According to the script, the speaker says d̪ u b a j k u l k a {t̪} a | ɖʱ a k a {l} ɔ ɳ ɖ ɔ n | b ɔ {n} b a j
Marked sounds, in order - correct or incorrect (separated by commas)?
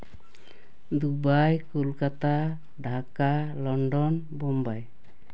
correct, correct, incorrect